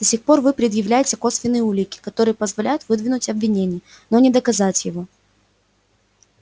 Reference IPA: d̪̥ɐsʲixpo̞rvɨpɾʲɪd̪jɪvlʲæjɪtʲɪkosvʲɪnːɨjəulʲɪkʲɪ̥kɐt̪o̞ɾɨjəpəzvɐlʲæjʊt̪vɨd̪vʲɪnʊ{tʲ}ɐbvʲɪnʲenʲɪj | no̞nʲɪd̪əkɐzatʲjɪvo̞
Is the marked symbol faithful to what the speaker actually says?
yes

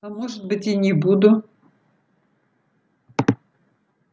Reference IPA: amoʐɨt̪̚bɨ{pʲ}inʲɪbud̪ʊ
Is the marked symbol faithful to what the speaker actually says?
no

